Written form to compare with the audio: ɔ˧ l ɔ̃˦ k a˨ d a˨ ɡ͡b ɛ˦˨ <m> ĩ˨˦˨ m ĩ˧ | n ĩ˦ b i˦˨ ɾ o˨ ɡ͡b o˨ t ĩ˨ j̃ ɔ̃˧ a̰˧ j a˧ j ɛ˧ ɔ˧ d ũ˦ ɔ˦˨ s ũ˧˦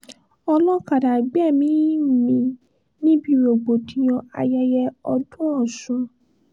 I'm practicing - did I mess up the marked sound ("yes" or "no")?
no